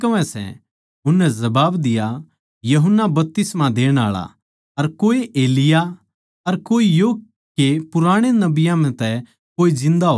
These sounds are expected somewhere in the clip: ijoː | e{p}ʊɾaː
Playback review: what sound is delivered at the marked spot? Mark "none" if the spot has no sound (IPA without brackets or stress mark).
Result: p